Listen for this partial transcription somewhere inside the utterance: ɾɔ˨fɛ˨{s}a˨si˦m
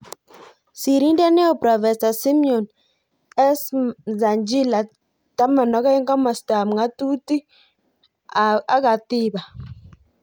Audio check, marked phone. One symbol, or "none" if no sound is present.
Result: s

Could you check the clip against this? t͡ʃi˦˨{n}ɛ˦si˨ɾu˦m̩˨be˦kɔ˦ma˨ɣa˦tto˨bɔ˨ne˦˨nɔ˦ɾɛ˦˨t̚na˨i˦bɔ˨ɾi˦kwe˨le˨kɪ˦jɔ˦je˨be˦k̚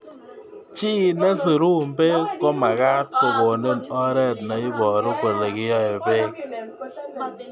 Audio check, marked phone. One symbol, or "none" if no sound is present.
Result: n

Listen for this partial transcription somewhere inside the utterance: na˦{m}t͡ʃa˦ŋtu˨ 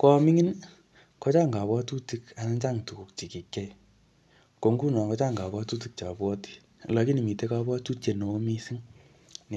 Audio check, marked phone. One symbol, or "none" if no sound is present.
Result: none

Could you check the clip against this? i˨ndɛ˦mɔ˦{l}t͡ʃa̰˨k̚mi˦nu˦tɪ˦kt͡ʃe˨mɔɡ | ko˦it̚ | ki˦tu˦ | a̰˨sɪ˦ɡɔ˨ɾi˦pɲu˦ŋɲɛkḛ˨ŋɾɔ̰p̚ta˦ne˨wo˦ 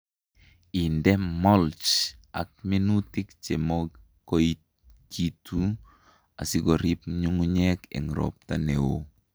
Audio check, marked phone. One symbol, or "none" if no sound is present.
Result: l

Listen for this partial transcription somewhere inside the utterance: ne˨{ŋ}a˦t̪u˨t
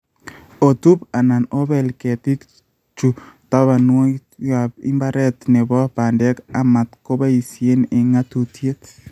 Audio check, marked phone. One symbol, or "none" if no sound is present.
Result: ŋ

